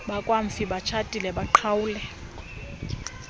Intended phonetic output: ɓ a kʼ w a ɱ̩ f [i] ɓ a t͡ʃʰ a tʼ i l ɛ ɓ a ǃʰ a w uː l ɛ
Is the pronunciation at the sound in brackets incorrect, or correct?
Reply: correct